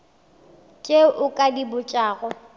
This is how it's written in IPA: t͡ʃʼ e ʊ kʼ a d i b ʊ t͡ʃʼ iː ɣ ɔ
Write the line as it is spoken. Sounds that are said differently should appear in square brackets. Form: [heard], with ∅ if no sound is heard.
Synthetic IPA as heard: t͡ʃʼ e ʊ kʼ a d i b ʊ t͡ʃʼ [aː] ɣ ɔ